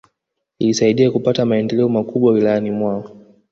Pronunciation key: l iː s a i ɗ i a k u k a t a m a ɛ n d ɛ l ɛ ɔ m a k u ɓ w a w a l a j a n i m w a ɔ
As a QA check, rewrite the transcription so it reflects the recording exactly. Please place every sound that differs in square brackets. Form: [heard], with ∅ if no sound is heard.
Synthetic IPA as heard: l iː s a i ɗ i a k u [p] a t a m a ɛ n d ɛ l ɛ ɔ m a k u ɓ w a w [i] l a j a n i m w a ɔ